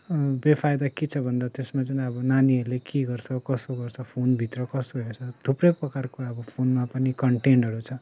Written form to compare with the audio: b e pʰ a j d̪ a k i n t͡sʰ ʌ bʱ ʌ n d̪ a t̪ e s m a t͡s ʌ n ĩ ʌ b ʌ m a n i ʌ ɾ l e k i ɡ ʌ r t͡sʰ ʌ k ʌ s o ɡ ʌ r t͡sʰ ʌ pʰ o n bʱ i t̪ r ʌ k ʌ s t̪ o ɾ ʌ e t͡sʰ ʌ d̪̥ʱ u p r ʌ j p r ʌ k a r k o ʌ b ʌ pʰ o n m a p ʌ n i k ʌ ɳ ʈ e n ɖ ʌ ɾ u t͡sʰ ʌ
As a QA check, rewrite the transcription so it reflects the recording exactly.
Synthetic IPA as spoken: b e pʰ a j d̪ a k i t͡sʰ ʌ bʱ ʌ n d̪ a t̪ e s m a t͡s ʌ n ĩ ʌ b ʌ n a n i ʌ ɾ l e k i ɡ ʌ r t͡sʰ ʌ k ʌ s o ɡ ʌ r t͡sʰ ʌ pʰ o n bʱ i t̪ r ʌ k ʌ s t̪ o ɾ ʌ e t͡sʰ ʌ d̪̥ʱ u p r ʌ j p r ʌ k a r k o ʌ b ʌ pʰ o n m a p ʌ n i k ʌ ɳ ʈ e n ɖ ʌ ɾ u t͡sʰ ʌ